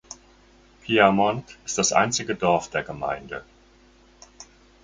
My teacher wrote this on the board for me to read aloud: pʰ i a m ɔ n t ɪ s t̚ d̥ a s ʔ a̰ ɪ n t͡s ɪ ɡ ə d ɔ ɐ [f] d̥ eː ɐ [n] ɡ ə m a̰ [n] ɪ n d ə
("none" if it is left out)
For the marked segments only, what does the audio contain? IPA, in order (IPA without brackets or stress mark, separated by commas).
f, none, none